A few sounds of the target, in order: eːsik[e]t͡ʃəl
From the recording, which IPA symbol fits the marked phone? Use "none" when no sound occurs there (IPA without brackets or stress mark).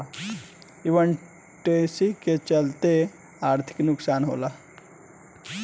e